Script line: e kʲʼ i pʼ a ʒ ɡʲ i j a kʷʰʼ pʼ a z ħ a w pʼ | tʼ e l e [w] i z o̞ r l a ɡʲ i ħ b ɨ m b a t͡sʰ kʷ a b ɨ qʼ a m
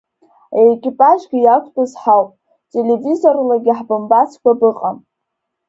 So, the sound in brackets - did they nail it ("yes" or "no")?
no